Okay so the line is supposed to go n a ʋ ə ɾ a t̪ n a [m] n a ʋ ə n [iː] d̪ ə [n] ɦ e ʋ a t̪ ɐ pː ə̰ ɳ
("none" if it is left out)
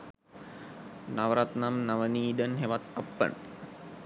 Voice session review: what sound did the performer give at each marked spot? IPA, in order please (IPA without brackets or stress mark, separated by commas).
m, iː, n